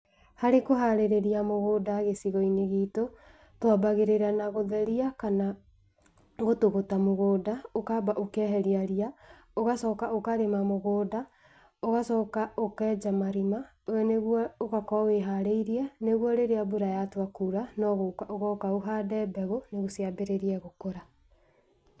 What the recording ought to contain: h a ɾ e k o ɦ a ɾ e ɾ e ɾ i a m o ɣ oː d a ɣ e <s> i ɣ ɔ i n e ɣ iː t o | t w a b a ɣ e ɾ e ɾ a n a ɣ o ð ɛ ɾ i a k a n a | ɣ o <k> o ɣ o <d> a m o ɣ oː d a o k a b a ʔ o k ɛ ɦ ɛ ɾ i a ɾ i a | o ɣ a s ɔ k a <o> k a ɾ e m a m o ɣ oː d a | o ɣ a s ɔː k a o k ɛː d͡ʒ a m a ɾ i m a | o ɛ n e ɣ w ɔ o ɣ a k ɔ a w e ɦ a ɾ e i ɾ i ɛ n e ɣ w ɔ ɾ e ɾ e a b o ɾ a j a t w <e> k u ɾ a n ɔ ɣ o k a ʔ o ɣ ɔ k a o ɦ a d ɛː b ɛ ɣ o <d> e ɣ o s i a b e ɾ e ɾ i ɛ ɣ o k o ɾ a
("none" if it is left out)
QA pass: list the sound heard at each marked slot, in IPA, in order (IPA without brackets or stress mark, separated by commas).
s, t, t, o, a, n